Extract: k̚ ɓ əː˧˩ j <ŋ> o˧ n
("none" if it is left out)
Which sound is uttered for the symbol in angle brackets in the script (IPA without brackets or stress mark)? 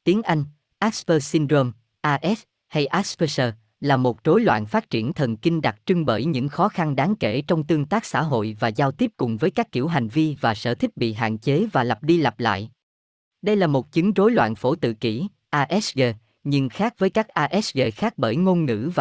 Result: ŋ